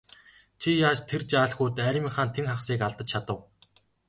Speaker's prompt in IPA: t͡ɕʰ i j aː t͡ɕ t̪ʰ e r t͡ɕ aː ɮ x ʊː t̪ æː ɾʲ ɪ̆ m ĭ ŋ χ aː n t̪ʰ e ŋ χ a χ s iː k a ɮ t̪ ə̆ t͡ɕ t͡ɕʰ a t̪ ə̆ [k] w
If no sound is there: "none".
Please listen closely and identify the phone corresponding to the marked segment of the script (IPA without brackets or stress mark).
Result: none